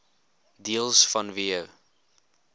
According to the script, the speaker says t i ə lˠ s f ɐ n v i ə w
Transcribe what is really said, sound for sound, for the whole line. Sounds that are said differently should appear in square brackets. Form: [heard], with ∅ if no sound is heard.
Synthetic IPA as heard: [d] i ə lˠ s f ɐ n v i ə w